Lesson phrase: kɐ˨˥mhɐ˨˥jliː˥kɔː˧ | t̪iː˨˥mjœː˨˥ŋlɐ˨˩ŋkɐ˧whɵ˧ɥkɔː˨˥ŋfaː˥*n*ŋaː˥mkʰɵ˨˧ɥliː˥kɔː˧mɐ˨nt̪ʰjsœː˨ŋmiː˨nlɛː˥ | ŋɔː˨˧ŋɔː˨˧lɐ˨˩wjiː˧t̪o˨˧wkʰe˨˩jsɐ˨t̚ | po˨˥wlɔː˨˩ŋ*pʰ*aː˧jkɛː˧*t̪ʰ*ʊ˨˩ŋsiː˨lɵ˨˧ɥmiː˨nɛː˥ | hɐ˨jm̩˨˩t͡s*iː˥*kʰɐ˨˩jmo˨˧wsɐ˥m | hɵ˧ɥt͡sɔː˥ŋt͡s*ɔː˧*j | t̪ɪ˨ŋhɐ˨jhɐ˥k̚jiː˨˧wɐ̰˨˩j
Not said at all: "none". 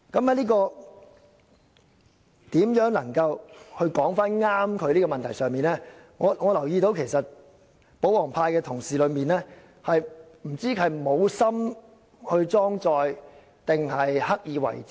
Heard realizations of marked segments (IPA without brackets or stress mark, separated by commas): n, pʰ, t̪ʰ, iː˥, ɔː˧